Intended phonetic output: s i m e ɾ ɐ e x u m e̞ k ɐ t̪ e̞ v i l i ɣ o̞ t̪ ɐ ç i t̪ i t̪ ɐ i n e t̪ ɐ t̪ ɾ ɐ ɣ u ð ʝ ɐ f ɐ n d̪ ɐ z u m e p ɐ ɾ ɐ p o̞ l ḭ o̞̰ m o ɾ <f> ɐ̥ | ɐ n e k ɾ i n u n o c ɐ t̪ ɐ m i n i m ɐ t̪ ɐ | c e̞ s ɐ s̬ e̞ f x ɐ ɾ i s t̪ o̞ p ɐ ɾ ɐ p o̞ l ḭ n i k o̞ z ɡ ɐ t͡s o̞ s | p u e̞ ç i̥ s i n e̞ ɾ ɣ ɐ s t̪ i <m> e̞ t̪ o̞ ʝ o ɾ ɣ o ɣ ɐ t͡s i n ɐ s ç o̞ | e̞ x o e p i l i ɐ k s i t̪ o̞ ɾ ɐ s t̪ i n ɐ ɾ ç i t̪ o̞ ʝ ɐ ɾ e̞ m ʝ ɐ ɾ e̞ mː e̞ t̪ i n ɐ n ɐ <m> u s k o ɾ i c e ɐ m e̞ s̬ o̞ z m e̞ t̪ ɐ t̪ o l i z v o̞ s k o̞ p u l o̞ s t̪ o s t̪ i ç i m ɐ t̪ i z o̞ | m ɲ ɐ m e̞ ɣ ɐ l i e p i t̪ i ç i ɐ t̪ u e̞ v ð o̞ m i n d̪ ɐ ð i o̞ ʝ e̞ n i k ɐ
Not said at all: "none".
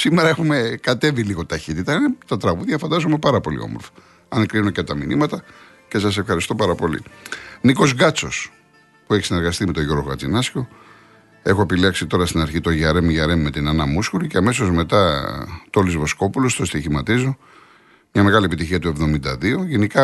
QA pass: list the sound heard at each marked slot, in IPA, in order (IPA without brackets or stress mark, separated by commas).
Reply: f, m, m